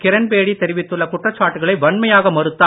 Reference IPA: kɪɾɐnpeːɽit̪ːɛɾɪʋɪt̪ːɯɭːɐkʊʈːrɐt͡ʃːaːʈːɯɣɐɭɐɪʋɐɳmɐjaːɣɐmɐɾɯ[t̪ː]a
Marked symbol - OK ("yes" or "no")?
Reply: yes